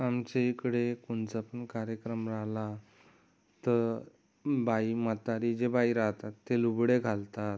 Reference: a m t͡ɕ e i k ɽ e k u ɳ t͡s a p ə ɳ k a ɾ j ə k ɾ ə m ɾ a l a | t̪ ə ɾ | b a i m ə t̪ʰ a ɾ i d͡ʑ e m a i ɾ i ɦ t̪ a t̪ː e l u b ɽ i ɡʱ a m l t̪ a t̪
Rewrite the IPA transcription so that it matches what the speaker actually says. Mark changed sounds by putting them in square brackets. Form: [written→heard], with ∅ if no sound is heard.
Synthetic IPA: a m t͡ɕ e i k ɽ e k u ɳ t͡s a p ə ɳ k a ɾ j ə k ɾ ə m ɾ a l a | t̪ ə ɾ | b a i m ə [t̪ʰ→t̪] a ɾ i d͡ʑ e [m→b] a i ɾ [i→a] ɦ t̪ a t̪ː e l u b ɽ [i→e] ɡʱ a [m→∅] l t̪ a t̪

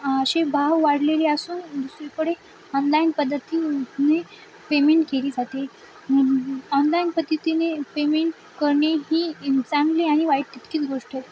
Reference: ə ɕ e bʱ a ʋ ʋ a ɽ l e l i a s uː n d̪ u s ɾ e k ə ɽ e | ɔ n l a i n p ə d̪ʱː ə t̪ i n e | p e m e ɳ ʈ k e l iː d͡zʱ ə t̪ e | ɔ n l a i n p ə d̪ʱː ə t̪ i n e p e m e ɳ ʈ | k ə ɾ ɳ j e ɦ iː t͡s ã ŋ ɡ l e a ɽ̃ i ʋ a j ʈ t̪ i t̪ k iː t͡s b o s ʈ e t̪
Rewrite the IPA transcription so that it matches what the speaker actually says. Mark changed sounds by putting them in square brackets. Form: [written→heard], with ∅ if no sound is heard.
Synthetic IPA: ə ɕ e bʱ a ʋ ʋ a ɽ l e l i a s uː n d̪ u s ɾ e k ə ɽ e | ɔ n l a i n p ə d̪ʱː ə t̪ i n e | p e m e ɳ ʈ k e l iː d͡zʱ [ə→a] t̪ e | ɔ n l a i n p ə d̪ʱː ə t̪ i n e p e m e ɳ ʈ | k ə ɾ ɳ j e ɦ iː t͡s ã ŋ ɡ l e a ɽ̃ i ʋ a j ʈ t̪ i t̪ k iː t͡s [b→ɡ] o [s→ʂ] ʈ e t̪

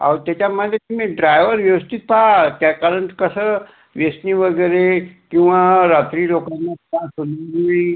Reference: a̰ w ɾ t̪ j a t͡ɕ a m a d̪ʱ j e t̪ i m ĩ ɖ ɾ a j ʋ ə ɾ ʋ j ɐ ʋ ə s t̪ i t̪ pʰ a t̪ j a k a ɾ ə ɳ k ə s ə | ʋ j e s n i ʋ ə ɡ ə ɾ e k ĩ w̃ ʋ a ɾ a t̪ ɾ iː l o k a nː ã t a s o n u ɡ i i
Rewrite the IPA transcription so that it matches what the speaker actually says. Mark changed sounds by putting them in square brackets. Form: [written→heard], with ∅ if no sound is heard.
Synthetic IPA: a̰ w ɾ t̪ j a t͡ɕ a m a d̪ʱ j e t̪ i m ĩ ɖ ɾ a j ʋ ə ɾ ʋ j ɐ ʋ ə s t̪ i t̪ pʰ a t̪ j a k a ɾ ə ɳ k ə s ə | ʋ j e s n i ʋ ə ɡ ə ɾ e k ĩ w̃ ʋ a ɾ a t̪ ɾ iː l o k a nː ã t a s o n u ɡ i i

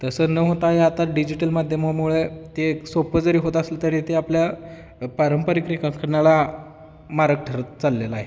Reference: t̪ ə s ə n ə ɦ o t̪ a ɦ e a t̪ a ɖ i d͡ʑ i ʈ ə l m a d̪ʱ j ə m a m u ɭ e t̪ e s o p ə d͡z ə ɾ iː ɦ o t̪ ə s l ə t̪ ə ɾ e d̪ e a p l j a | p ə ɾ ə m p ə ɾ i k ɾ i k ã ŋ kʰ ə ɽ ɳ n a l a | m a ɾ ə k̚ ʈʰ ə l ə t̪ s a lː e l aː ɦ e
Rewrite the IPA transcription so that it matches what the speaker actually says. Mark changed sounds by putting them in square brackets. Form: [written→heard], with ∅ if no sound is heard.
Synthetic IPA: t̪ ə s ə n ə ɦ o t̪ a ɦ e a t̪ a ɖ i d͡ʑ i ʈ ə l m a d̪ʱ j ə m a m u ɭ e t̪ e s o p ə d͡z ə ɾ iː ɦ o t̪ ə s l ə t̪ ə ɾ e [d̪→t̪] e a p l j a | p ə ɾ ə m p ə ɾ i k ɾ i k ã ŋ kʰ ə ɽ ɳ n a l a | m a ɾ ə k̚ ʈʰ ə [l→ɾ] ə t̪ [s→t͡s] a lː e l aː ɦ e

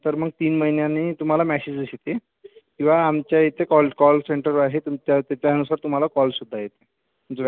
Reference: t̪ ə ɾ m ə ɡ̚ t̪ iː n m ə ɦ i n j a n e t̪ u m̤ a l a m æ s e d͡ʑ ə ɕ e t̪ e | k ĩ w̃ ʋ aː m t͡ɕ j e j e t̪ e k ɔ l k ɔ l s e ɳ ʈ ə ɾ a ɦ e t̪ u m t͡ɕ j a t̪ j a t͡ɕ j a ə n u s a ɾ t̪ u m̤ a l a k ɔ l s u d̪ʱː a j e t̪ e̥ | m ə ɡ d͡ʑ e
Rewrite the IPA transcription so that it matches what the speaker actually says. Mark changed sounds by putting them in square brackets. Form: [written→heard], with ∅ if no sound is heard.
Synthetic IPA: t̪ ə ɾ m ə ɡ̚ t̪ iː n m ə ɦ i n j a n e t̪ u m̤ a l a m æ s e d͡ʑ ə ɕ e t̪ e | k ĩ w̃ ʋ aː m t͡ɕ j [e→a] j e t̪ e k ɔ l k ɔ l s e ɳ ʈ ə ɾ a ɦ e t̪ u m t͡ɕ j a t̪ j a t͡ɕ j a ə n u s a ɾ t̪ u m̤ a l a k ɔ l s u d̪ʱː a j e t̪ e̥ | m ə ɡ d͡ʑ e

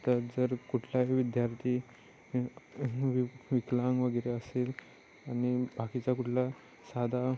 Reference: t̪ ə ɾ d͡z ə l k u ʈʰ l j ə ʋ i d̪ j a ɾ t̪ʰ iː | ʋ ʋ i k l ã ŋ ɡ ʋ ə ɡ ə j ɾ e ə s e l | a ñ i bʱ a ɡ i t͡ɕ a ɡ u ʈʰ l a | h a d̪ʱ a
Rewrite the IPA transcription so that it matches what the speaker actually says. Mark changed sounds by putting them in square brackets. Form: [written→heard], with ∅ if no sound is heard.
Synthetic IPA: t̪ ə ɾ d͡z ə [l→ɾ] k u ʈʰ l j [ə→a] ʋ i d̪ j a ɾ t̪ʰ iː | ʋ ʋ i k l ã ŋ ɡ ʋ ə ɡ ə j ɾ e ə s e l | a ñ i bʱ a [ɡ→k] i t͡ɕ a [ɡ→k] u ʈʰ l a | [h→s] a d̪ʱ a

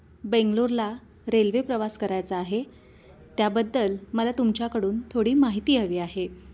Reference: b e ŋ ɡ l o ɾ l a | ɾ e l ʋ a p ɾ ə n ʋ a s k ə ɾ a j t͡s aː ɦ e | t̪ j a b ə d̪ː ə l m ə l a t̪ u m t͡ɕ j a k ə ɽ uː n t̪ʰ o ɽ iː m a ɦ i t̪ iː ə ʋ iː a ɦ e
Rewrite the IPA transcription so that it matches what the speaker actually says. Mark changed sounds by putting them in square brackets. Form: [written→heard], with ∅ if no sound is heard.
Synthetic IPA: b e ŋ ɡ l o ɾ l a | ɾ e l ʋ [a→e] p ɾ ə [n→∅] ʋ a s k ə ɾ a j t͡s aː ɦ e | t̪ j a b ə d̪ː ə l m ə l a t̪ u m t͡ɕ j a k ə ɽ uː n t̪ʰ o ɽ iː m a ɦ i t̪ iː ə ʋ iː a ɦ e

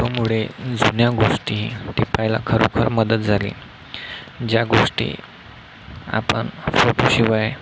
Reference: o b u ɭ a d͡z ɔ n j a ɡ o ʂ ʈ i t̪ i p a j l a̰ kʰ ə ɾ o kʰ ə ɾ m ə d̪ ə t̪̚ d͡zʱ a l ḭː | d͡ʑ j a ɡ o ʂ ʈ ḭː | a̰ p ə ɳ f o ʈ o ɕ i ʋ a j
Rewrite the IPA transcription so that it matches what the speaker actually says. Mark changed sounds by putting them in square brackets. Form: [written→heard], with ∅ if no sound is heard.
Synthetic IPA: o [b→m] u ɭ [a→e] d͡z [ɔ→u] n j a ɡ o ʂ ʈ i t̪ i p a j l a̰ kʰ ə ɾ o kʰ ə ɾ m ə d̪ ə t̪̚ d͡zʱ a l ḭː | d͡ʑ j a ɡ o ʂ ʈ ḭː | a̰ p ə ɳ f o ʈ o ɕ i ʋ a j

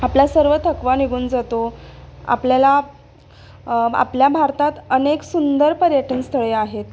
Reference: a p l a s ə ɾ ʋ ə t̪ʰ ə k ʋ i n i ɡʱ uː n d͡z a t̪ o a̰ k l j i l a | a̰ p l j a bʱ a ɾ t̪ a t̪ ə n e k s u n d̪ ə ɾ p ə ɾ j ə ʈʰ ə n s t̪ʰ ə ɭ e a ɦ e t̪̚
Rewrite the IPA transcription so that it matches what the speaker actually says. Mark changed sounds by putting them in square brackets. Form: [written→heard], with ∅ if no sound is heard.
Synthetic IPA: a p l a s ə ɾ ʋ ə t̪ʰ ə k ʋ [i→a] n i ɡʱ uː n d͡z a t̪ o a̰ [k→p] l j [i→a] l a | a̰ p l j a bʱ a ɾ t̪ a t̪ ə n e k s u n d̪ ə ɾ p ə ɾ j ə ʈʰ ə n s t̪ʰ ə ɭ e a ɦ e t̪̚

